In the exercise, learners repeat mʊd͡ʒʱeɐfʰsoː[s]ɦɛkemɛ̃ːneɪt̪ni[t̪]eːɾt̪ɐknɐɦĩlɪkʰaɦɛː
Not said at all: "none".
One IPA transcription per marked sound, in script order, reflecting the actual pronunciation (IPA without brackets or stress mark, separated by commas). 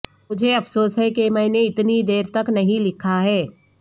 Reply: s, d̪